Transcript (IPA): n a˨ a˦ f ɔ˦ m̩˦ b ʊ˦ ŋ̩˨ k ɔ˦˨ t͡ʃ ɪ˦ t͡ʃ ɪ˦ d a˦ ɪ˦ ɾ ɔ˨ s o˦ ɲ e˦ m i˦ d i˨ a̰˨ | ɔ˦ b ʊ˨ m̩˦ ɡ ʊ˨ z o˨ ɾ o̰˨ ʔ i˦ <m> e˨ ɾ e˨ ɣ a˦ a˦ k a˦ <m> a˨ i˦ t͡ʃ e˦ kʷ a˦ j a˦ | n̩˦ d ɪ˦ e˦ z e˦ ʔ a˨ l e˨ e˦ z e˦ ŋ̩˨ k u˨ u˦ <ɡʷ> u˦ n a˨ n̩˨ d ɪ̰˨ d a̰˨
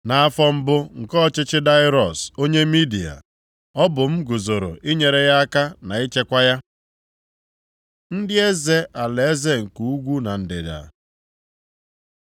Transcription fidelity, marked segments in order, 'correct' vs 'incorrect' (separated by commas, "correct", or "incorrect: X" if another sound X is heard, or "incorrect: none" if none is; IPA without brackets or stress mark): incorrect: ɲ, incorrect: n, correct